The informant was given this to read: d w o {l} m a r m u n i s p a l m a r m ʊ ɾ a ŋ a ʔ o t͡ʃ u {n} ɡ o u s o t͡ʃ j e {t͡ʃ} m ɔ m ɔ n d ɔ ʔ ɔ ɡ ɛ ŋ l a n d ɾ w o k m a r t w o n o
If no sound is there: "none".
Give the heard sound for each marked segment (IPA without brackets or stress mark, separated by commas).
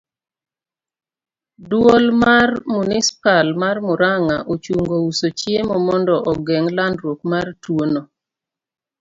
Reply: l, ŋ, none